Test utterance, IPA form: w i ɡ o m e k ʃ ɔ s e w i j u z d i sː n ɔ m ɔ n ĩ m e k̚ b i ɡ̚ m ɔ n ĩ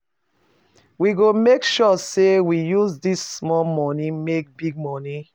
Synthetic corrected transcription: w i ɡ o m e k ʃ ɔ s e w i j u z d i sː m ɔ m ɔ n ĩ m e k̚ b i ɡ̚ m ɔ n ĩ